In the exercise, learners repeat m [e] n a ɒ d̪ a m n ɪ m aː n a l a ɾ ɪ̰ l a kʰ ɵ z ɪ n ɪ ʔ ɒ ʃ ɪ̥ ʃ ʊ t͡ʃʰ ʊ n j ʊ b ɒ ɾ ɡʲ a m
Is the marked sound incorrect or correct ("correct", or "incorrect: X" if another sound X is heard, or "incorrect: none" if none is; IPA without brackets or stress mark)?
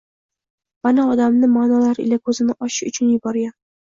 incorrect: a